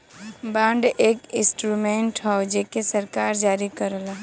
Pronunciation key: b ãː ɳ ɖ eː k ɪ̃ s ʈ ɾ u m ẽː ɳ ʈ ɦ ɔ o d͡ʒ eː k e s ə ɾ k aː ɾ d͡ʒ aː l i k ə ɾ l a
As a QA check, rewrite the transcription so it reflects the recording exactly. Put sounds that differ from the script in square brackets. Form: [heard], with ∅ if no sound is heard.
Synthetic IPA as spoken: b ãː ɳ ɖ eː k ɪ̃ s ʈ ɾ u m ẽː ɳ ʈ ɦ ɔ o d͡ʒ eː k e s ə ɾ k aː ɾ d͡ʒ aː [ɾ] i k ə ɾ l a